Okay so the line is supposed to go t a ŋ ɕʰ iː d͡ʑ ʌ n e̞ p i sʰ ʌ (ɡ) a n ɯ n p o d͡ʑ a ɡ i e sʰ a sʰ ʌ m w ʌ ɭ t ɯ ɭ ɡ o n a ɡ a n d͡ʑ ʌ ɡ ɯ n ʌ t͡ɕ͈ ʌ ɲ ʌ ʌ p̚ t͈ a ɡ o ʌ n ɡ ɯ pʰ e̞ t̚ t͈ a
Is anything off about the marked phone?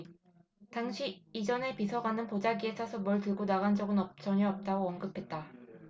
no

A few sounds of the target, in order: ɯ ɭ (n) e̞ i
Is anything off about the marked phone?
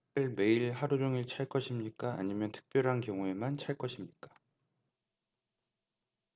yes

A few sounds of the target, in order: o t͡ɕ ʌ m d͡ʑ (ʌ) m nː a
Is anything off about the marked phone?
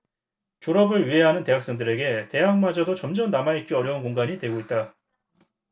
no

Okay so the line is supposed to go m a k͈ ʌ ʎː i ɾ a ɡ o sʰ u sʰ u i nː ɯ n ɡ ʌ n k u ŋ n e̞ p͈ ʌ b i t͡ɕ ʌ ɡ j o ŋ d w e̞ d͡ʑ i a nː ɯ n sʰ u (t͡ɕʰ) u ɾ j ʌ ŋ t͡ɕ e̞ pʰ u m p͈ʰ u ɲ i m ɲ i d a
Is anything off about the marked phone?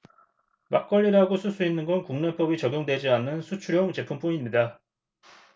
no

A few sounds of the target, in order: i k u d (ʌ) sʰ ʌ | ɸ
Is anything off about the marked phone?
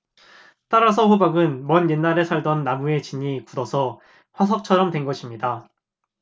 no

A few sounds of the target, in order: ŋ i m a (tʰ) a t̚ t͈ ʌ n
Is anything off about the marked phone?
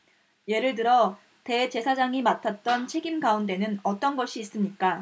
no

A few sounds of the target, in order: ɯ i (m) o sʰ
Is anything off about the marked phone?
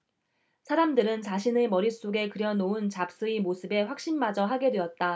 no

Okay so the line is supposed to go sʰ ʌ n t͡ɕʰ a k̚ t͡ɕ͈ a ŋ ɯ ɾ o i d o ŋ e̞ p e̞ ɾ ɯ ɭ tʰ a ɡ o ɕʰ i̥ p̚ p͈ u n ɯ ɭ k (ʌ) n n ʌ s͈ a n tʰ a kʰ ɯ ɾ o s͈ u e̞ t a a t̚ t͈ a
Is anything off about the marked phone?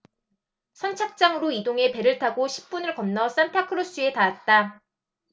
no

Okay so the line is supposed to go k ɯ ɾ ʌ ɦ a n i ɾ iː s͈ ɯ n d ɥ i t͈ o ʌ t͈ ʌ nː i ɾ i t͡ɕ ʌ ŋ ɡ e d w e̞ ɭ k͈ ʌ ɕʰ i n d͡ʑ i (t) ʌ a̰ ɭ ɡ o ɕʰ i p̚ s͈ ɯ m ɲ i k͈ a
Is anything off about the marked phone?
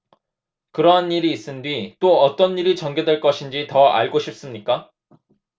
no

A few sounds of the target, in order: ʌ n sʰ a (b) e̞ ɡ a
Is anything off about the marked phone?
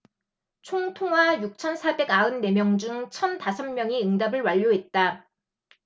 no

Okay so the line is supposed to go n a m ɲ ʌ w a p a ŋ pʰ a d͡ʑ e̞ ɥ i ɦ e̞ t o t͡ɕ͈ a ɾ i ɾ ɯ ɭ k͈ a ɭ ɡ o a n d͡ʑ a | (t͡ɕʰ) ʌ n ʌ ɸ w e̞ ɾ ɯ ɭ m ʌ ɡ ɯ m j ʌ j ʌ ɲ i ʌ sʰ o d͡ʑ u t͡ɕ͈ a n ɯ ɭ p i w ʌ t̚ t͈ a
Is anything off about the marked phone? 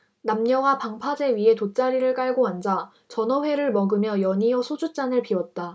yes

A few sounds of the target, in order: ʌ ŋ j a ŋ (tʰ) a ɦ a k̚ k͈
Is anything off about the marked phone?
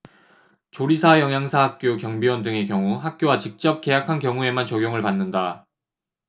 yes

